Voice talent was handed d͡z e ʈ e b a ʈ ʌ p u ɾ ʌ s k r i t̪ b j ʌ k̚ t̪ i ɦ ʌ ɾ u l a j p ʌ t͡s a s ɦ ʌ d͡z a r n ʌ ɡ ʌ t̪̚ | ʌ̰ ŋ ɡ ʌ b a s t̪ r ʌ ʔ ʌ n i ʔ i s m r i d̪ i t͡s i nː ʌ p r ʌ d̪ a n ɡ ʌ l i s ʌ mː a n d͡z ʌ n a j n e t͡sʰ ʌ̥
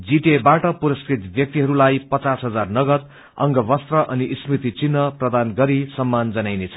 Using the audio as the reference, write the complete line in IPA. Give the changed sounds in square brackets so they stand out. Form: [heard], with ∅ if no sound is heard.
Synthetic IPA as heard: d͡z [i] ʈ e b a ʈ ʌ p u ɾ ʌ s k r i t̪ b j ʌ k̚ t̪ i ɦ ʌ ɾ u l a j p ʌ t͡s a s ɦ ʌ d͡z a r n ʌ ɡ ʌ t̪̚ | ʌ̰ ŋ ɡ ʌ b [ʌ] s t̪ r ʌ ʔ ʌ n i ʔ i s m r i [t̪] i t͡s i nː ʌ p r ʌ d̪ a n ɡ ʌ [ɾ] i s ʌ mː a n d͡z ʌ n a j n e t͡sʰ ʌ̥